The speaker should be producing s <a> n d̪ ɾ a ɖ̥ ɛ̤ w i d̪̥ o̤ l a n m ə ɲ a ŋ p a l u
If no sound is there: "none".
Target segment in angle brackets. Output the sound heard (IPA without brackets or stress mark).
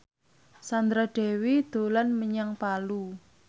a